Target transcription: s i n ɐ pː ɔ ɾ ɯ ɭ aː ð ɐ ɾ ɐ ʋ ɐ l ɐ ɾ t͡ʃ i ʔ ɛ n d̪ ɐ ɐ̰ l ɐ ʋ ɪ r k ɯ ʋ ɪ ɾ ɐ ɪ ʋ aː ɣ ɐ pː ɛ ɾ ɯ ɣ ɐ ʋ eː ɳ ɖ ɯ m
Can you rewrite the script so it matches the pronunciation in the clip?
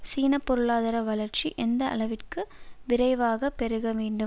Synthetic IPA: s iː n ɐ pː ɔ ɾ ɯ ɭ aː ð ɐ ɾ ɐ ʋ ɐ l ɐ ɾ t͡ʃ i ʔ ɛ n d̪ ɐ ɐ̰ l ɐ ʋ ɪ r k ɯ ʋ ɪ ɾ ɐ ɪ ʋ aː ɣ ɐ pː ɛ ɾ ɯ ɣ ɐ ʋ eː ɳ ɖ ɯ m